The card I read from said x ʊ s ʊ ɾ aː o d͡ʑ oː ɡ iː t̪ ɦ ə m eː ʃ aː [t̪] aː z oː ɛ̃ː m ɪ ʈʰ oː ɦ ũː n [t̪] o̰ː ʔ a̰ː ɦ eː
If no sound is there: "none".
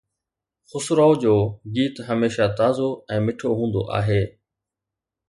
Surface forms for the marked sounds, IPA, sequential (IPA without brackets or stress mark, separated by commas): t̪, d̪